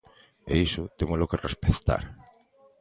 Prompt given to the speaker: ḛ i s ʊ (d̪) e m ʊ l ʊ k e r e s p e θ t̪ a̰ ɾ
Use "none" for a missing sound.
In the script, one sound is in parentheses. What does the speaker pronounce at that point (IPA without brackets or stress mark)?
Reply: t̪